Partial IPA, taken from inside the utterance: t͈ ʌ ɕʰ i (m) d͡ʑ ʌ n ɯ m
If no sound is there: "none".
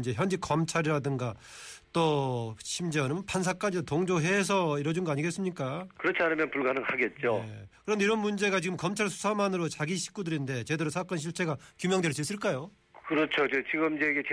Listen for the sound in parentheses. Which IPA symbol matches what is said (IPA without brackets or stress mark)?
m